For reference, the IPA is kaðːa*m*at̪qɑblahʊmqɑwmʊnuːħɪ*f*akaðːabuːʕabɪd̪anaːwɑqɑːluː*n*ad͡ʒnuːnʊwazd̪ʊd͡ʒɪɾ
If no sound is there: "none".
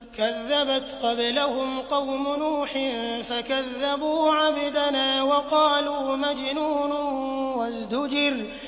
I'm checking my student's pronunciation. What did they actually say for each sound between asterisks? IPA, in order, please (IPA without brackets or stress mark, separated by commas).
b, f, m